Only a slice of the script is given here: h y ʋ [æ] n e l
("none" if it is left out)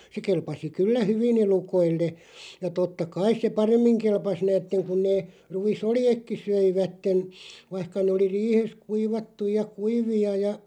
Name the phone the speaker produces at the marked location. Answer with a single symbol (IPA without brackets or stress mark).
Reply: i